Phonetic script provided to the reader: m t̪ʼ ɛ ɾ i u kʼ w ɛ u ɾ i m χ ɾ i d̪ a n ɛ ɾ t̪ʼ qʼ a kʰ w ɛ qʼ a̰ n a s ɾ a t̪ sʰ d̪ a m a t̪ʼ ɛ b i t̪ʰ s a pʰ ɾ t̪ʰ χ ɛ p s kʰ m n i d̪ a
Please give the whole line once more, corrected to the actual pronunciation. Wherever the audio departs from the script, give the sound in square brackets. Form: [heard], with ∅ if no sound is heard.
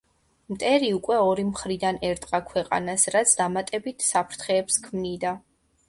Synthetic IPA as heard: m t̪ʼ ɛ ɾ i u kʼ w ɛ [ɔ] ɾ i m χ ɾ i d̪ a n ɛ ɾ t̪ʼ qʼ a kʰ w ɛ qʼ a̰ n a s ɾ a t̪ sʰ d̪ a m a t̪ʼ ɛ b i t̪ʰ s a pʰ ɾ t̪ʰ χ [ɛː] p s kʰ m n i d̪ a